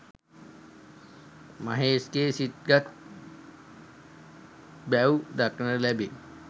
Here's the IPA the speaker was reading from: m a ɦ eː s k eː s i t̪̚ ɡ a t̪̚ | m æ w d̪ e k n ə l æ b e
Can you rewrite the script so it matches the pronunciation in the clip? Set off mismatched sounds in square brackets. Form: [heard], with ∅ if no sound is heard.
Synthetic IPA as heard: m a ɦ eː s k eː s i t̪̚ ɡ a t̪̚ | [b] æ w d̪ [a] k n ə l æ b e